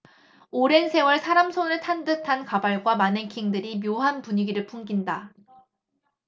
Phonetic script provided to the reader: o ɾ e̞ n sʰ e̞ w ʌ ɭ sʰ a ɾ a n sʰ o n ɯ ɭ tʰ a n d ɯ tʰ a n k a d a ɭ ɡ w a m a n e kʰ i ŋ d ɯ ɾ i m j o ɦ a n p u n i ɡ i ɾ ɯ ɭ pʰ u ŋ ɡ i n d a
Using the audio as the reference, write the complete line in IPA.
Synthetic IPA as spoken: o ɾ e̞ n sʰ e̞ w ʌ ɭ sʰ a ɾ a m sʰ o n ɯ ɭ tʰ a n d ɯ tʰ a n k a b a ɭ ɡ w a m a n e kʰ i ŋ d ɯ ɾ i m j o ɦ a n p u ɲ i ɡ i ɾ ɯ ɭ pʰ u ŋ ɡ i n d a

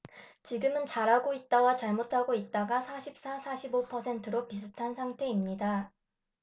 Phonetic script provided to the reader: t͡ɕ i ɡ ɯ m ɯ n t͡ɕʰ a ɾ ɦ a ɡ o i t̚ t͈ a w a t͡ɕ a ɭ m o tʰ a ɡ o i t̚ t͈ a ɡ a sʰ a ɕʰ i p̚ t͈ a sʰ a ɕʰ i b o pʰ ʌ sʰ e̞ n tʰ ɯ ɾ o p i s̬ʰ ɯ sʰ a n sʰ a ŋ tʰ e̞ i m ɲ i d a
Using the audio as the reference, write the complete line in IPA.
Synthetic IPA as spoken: t͡ɕ i ɡ ɯ m ɯ n t͡ɕ a ɾ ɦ a ɡ o i t̚ t͈ a w a t͡ɕ a ɭ m o tʰ a ɡ o i t̚ t͈ a ɡ a sʰ a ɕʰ i p̚ s͈ a sʰ a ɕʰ i b o pʰ ʌ sʰ e̞ n tʰ ɯ ɾ o p i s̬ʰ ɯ tʰ a n sʰ a ŋ tʰ e̞ i m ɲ i d a

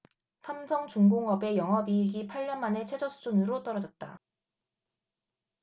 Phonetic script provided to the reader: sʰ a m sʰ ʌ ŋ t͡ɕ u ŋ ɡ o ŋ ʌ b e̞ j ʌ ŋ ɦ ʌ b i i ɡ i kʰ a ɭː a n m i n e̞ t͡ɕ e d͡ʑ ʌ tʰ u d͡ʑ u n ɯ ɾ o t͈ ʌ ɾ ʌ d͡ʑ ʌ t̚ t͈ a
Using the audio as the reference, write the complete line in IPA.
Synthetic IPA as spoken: sʰ a m sʰ ʌ ŋ t͡ɕ u ŋ ɡ o ŋ ʌ b e̞ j ʌ ŋ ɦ ʌ b i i ɡ i pʰ a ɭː ʌ n m a n e̞ t͡ɕʰ e d͡ʑ ʌ sʰ u d͡ʑ u n ɯ ɾ o t͈ ʌ ɾ ʌ d͡ʑ ʌ t̚ t͈ a

